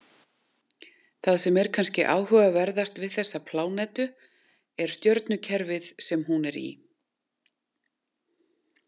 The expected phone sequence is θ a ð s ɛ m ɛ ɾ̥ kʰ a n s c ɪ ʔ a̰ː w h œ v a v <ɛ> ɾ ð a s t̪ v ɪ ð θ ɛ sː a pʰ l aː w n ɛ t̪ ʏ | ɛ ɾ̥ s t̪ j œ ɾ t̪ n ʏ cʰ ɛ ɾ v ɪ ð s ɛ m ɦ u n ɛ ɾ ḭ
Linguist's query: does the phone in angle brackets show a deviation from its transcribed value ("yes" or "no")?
no